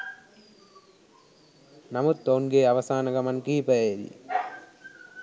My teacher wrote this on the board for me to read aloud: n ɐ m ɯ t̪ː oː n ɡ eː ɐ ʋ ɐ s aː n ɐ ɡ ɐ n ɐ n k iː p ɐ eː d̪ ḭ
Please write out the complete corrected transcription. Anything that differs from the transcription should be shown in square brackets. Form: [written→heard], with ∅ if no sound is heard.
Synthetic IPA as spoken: n ɐ m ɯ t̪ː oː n ɡ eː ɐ ʋ ɐ s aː n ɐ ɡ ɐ [n→m] ɐ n k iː p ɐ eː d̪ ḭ